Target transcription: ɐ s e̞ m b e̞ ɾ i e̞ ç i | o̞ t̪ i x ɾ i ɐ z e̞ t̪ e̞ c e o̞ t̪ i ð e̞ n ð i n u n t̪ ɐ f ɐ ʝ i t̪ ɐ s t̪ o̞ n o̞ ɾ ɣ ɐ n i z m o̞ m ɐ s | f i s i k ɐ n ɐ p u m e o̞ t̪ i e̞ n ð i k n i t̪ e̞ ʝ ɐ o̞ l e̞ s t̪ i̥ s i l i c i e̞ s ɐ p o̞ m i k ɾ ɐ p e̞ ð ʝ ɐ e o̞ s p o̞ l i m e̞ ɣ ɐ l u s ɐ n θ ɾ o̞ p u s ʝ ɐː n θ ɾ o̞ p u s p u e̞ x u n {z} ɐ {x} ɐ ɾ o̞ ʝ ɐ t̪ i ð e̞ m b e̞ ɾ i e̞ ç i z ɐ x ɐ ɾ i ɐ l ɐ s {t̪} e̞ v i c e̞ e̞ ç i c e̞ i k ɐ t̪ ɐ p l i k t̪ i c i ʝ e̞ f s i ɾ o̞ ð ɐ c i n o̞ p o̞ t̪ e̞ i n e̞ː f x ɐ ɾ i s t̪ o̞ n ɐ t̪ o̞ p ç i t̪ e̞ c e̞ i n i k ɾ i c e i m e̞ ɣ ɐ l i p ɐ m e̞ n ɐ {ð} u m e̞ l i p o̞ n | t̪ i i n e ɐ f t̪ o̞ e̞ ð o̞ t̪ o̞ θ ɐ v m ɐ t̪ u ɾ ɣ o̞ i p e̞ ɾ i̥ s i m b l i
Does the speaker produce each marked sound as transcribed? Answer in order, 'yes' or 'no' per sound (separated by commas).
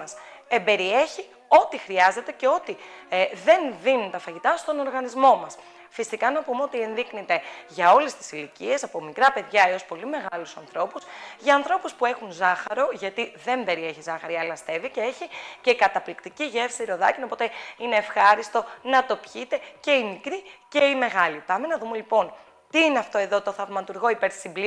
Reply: yes, yes, yes, yes